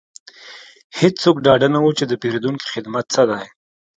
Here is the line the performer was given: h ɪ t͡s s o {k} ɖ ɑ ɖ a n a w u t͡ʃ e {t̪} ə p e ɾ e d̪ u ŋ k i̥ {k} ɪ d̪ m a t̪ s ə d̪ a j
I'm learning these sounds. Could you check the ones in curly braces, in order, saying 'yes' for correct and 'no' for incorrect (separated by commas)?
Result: yes, no, no